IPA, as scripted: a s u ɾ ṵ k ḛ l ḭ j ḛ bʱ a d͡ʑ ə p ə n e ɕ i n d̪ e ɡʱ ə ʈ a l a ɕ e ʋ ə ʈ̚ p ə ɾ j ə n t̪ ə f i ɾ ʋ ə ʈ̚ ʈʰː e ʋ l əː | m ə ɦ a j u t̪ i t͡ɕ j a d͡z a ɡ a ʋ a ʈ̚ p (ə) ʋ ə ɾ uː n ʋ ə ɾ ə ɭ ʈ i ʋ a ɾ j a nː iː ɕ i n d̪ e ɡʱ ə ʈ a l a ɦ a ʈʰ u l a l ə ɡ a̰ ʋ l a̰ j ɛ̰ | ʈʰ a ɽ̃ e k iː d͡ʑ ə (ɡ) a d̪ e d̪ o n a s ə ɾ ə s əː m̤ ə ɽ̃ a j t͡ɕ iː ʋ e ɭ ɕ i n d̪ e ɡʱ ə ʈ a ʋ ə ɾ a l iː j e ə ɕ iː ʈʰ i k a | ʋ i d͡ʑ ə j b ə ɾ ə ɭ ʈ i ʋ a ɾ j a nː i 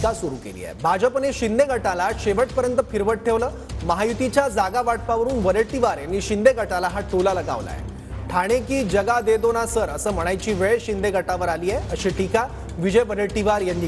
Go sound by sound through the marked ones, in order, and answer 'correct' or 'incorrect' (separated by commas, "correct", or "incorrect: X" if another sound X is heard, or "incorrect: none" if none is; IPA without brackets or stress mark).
incorrect: a, correct